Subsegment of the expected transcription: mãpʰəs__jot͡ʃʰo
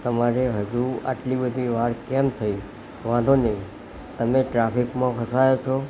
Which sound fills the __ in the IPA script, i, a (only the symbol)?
a